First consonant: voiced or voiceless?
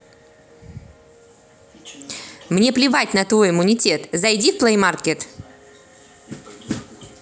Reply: voiced